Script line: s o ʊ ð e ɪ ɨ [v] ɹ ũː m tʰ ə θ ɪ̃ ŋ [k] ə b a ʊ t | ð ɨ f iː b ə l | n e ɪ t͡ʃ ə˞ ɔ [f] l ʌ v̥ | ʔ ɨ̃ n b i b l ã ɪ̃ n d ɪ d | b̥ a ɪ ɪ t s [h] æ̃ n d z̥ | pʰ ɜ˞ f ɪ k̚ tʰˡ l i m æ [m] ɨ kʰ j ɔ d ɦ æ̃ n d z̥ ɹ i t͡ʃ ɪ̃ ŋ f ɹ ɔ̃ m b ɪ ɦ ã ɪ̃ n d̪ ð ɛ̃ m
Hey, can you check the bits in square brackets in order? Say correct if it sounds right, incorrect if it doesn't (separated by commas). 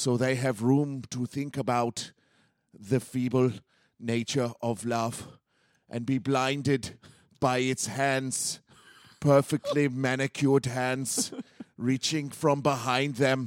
correct, correct, incorrect, correct, incorrect